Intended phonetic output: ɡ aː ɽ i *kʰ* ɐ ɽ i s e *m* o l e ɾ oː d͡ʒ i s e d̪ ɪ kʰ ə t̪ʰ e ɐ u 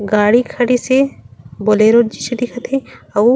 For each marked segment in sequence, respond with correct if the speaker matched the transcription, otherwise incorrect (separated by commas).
correct, incorrect